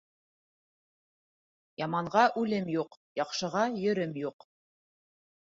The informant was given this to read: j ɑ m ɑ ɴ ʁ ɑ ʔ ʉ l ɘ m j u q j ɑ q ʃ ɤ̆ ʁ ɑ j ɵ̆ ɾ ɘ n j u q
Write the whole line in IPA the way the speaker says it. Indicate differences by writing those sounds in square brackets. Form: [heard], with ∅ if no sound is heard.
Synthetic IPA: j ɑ m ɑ ɴ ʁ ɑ ʔ ʉ l ɘ m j u q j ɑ q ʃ ɤ̆ ʁ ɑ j ɵ̆ ɾ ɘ [m] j u q